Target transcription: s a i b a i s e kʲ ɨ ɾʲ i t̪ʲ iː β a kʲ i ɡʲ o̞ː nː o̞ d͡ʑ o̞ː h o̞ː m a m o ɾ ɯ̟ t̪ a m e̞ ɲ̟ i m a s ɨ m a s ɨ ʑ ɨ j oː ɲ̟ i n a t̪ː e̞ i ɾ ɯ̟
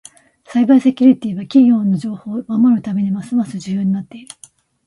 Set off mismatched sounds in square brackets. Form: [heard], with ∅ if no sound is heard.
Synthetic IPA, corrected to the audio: s a i b a i s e kʲ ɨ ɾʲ i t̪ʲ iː β a kʲ i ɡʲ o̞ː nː o̞ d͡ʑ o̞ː h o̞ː m a m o ɾ ɯ̟ t̪ a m e̞ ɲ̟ i m a s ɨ m a s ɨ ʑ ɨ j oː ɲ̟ i n a t̪ː e̞ i ɾ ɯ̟